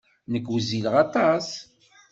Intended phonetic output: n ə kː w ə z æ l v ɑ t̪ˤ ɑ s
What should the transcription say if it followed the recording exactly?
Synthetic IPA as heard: n ə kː w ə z i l ʁ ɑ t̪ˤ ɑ s